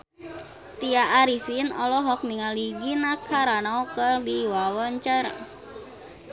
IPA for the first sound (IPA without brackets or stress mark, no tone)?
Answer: t̪